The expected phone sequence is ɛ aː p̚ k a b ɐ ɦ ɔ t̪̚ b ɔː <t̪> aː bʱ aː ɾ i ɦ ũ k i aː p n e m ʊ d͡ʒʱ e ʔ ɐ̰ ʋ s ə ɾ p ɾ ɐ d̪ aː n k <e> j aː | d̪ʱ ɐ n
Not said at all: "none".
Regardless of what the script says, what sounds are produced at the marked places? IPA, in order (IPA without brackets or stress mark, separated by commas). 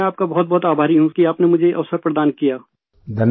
t̪, i